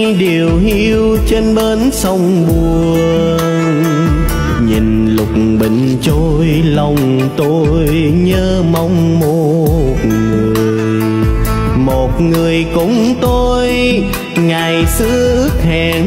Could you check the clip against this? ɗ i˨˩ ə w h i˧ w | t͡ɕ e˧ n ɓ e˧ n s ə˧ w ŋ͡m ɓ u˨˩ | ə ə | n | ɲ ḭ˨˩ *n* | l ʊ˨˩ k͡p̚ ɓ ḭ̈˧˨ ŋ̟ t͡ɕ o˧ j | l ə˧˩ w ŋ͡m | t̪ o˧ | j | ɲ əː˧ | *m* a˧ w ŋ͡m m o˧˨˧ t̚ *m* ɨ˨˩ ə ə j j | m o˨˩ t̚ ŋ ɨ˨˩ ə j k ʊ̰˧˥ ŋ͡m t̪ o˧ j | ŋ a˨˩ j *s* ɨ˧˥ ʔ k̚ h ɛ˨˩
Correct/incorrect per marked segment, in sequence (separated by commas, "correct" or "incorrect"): correct, correct, incorrect, correct